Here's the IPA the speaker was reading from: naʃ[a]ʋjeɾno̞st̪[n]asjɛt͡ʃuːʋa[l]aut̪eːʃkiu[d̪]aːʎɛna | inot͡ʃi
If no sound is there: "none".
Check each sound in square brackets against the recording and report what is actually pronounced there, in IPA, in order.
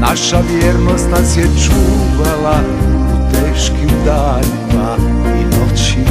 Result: a, n, l, d̪

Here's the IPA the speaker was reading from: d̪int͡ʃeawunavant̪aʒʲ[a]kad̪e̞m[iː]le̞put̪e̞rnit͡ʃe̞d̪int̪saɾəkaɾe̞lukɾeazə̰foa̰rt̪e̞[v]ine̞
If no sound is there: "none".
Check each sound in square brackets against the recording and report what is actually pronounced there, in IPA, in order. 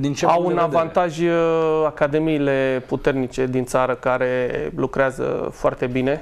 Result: a, iː, b

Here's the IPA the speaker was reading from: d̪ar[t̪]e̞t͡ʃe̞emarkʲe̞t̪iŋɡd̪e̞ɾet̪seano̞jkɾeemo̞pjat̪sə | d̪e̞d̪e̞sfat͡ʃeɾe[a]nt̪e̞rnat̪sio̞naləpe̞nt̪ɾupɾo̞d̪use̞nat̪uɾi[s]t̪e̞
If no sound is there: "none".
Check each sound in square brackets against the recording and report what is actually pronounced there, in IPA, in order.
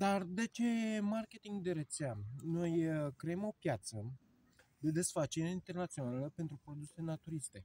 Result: d̪, i, s

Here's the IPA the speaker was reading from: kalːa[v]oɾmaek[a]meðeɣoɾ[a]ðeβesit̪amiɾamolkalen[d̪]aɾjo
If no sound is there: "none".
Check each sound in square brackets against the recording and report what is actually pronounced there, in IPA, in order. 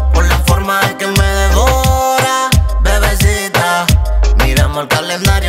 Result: f, e, a, d̪

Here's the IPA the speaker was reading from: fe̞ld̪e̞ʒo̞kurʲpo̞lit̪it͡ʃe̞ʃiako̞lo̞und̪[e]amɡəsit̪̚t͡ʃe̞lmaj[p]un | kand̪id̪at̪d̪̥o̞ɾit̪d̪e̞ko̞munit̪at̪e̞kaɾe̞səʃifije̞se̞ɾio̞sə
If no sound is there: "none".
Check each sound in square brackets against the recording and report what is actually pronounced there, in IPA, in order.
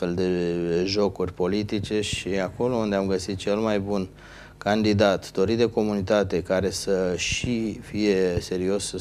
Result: e, b

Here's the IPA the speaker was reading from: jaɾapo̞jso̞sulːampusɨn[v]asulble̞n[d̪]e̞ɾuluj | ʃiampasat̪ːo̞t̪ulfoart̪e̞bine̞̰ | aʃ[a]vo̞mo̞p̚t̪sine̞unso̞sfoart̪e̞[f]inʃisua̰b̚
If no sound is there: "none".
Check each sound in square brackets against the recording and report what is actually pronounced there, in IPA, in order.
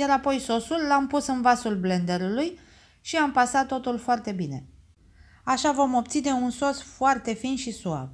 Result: v, d̪, a, f

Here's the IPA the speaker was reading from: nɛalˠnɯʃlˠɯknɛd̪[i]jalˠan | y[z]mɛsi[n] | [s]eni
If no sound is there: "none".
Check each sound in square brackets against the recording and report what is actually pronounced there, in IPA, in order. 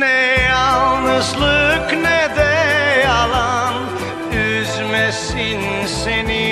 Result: ɛ, z, n, s

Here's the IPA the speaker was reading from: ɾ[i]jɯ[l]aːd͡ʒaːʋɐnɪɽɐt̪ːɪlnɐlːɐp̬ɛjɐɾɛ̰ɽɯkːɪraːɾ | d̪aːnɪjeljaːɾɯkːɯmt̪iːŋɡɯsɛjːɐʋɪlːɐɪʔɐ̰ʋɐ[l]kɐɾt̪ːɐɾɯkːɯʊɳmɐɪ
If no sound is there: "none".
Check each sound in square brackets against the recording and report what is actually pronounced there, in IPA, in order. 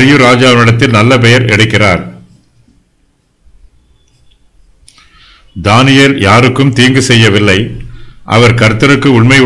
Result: ɪ, ɾ, ɾ

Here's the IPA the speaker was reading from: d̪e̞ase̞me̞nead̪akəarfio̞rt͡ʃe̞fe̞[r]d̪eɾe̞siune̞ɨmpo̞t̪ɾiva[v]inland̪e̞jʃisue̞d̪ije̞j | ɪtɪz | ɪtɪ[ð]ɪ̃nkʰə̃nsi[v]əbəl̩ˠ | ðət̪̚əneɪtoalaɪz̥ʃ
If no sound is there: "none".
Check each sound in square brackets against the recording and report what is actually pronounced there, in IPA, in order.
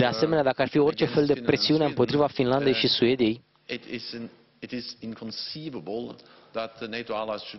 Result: l, f, z, v

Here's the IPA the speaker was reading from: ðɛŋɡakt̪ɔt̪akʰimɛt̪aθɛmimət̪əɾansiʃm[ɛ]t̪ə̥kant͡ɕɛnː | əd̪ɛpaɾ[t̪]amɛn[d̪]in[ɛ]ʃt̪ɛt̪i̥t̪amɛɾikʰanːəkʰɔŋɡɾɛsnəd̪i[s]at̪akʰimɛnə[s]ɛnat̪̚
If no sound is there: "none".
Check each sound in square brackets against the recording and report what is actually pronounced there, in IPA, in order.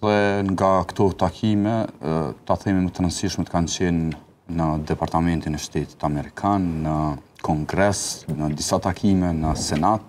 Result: ɛ, t̪, t̪, ɛ, s, s

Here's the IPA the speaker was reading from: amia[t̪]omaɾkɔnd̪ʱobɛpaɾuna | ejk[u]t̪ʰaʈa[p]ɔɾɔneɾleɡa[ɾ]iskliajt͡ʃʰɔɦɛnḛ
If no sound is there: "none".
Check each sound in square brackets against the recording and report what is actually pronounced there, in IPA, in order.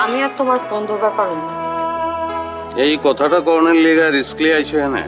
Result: t̪, ɔ, k, ɾ

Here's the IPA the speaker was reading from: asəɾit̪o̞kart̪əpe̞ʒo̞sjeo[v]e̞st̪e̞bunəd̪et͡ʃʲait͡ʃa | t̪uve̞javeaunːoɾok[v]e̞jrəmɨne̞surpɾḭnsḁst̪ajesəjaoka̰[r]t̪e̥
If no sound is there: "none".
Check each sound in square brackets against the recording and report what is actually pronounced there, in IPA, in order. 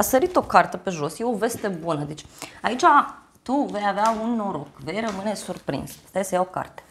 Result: v, v, r

